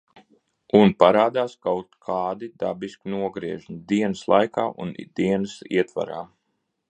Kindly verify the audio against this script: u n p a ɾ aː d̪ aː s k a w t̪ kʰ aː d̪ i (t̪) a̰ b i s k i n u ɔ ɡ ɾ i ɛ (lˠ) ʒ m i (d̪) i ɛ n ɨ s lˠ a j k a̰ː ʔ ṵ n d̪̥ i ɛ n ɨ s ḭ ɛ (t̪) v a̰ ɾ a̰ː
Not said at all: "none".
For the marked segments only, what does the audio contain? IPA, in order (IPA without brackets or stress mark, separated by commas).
d̪, none, d̪, t̪